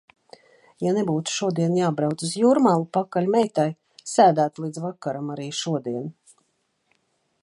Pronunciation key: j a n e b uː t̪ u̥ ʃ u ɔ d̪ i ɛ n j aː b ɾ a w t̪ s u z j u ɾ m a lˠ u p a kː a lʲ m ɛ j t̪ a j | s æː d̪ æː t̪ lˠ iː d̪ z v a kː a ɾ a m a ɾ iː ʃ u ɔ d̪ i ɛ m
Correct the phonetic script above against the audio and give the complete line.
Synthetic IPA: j a n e b uː t̪ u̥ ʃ u ɔ d̪ i ɛ n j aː b ɾ a w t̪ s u z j u ɾ m a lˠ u p a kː a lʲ m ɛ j t̪ a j | s æː d̪ æː t̪ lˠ iː d̪ z v a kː a ɾ a m a ɾ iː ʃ u ɔ d̪ i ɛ n